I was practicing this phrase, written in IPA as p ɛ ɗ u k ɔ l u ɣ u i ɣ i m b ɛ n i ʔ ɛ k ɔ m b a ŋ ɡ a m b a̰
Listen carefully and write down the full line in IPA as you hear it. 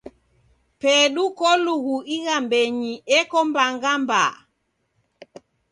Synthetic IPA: p ɛ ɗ u k ɔ l u ɣ u i ɣ a m b ɛ ɲ i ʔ ɛ k ɔ m b a ŋ ɡ a m b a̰